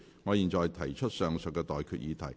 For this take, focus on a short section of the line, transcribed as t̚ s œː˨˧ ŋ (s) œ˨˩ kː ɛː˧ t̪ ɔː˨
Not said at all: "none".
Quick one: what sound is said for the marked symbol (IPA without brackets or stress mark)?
s